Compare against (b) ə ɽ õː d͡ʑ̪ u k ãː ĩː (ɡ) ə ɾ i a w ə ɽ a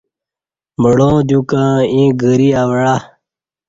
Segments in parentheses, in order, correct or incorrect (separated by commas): incorrect, correct